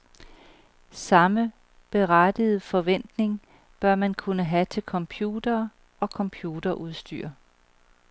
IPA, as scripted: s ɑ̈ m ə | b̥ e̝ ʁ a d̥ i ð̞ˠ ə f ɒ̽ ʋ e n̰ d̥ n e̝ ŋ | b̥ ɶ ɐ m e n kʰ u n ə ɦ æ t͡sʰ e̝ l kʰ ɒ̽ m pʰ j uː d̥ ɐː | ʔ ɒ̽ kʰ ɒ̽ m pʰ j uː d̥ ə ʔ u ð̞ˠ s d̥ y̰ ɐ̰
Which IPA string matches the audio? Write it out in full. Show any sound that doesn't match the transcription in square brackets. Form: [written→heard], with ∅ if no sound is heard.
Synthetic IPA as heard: s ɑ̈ m ə | b̥ e̝ ʁ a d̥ i ð̞ˠ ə f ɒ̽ ʋ e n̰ d̥ n e̝ ŋ | b̥ ɶ ɐ m [e→æ] n kʰ u n ə ɦ æ t͡sʰ e̝ l kʰ ɒ̽ m pʰ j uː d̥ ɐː | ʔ ɒ̽ kʰ ɒ̽ m pʰ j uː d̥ [ə→ɐ] ʔ u ð̞ˠ s d̥ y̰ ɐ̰